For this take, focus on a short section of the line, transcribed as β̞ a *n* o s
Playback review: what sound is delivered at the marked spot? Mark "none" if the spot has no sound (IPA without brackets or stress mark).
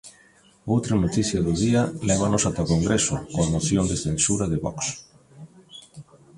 n